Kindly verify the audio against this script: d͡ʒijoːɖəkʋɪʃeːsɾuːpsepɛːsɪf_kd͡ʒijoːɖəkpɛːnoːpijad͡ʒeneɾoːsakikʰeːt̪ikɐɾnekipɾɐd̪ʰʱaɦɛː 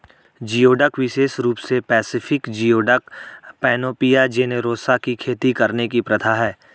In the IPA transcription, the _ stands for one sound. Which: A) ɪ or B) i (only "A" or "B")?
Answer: A